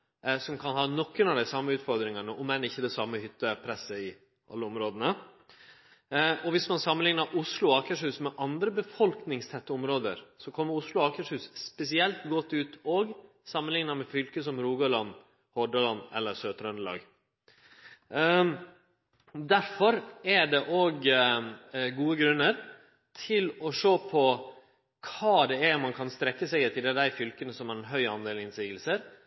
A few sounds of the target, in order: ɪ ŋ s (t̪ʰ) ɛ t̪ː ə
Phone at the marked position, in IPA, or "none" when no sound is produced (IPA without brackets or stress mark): t̪ʰ